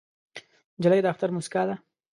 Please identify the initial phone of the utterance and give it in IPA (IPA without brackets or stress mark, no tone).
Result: d͡ʒ